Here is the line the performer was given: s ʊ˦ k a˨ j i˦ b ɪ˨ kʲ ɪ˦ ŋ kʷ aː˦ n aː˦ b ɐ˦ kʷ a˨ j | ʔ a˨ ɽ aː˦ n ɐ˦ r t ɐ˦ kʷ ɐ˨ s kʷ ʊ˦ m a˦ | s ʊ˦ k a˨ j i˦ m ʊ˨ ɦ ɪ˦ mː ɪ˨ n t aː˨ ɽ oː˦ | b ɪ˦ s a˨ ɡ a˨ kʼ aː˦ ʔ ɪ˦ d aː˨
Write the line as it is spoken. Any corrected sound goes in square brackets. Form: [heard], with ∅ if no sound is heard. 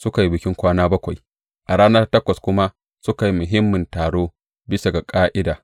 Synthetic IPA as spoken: s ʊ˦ k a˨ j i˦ b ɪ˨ kʲ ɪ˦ ŋ kʷ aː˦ n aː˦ b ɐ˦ kʷ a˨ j | ʔ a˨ ɽ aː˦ n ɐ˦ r t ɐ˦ kʷ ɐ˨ s kʷ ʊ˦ m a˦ | s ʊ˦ k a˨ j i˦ m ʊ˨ ɦ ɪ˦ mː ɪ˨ n t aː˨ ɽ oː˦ | b ɪ˦ s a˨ ɡ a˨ kʼ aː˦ ʔ ɪ˦ d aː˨